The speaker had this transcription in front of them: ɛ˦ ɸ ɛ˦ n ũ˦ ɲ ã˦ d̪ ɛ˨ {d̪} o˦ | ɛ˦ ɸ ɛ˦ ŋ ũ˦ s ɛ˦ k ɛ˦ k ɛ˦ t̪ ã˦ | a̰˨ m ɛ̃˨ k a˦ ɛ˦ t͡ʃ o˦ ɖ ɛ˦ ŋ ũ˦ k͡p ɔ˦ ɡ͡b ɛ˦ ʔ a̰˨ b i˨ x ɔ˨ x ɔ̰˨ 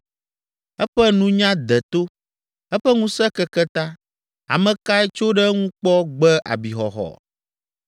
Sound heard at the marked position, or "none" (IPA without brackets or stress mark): t̪